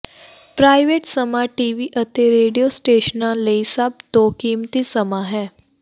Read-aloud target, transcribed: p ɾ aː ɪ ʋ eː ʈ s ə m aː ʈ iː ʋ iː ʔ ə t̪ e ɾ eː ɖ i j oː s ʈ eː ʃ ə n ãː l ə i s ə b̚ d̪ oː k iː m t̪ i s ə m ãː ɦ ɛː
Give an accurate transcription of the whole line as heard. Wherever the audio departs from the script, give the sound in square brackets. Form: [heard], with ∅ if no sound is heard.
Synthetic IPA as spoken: p ɾ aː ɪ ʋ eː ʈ s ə m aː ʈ iː ʋ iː ʔ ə t̪ e ɾ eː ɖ i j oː s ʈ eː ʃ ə n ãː l ə i s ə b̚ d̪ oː k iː m t̪ i s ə m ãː ɦ ɛː

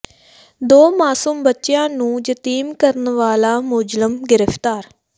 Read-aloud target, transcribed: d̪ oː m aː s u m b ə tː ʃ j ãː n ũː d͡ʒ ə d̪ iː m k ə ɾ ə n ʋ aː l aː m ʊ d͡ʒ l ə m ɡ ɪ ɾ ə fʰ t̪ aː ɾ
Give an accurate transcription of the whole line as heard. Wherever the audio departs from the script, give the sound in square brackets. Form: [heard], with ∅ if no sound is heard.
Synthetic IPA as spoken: d̪ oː m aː s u m b ə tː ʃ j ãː n ũː d͡ʒ ə [t̪] iː m k ə ɾ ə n ʋ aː l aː m ʊ d͡ʒ l ə m ɡ ɪ ɾ ə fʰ t̪ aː ɾ

